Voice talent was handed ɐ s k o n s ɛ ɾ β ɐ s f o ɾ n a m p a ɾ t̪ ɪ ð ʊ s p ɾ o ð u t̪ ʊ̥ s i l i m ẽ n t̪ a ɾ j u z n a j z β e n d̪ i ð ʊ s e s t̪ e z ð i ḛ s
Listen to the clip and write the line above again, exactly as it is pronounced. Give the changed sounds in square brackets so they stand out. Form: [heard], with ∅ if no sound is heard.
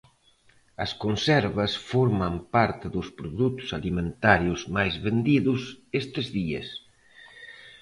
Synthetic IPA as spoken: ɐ s k o n s ɛ ɾ β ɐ s f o ɾ [m] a m p a ɾ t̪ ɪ ð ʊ s p ɾ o ð u t̪ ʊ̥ s [a] l i m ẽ n t̪ a ɾ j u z [m] a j z β e n d̪ i ð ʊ s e s t̪ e z ð i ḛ s